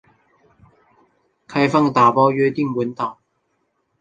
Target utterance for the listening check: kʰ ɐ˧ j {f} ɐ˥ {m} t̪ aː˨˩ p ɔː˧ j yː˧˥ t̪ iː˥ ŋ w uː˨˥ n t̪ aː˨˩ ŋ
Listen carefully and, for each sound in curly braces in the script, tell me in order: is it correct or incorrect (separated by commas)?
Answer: correct, incorrect